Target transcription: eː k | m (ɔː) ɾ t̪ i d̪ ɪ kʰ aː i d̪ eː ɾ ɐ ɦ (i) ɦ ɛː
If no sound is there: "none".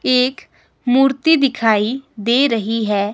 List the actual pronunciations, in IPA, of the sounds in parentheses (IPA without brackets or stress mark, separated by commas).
uː, i